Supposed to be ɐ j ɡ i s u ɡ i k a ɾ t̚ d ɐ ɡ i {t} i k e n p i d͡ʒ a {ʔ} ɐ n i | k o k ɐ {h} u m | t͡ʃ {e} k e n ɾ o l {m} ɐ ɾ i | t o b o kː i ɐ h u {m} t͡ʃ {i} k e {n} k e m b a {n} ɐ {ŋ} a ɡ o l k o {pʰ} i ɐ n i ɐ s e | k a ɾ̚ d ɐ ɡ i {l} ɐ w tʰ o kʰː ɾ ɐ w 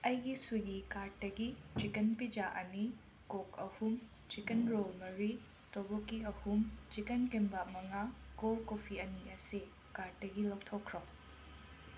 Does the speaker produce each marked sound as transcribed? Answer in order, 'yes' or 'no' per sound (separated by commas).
no, yes, yes, no, yes, yes, yes, yes, no, yes, yes, yes